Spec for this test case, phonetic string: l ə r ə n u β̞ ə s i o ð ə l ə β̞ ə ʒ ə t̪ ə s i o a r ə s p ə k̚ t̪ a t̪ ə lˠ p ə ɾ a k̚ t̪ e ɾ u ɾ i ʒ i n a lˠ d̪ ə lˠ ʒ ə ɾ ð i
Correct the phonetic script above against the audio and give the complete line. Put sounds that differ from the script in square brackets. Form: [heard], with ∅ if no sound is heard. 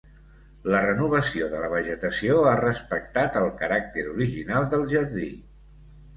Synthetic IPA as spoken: l ə r ə n u β̞ ə s i o ð ə l ə β̞ ə ʒ ə t̪ ə s i o a r ə s p ə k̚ t̪ a t̪ ə lˠ [k] ə ɾ a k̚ t̪ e ɾ u ɾ i ʒ i n a lˠ d̪ ə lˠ ʒ ə ɾ ð i